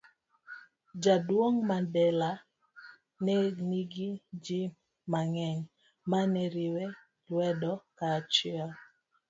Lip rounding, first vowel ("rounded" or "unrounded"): unrounded